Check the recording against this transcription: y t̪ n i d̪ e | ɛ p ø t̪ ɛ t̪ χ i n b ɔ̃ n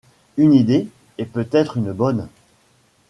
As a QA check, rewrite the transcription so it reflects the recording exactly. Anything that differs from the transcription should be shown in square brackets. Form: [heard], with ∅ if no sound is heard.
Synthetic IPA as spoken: y [∅] n i d̪ e | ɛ p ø t̪ ɛ t̪ χ [y] n b [ɔ] n